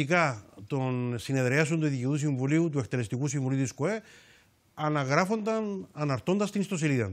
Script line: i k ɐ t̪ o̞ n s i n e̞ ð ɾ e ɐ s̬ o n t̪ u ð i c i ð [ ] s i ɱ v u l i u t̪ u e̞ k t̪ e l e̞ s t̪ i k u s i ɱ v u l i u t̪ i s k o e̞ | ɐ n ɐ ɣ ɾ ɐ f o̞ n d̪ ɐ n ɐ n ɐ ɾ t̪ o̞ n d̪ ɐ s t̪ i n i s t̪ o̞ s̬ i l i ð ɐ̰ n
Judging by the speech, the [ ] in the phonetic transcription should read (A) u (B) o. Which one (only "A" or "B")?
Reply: A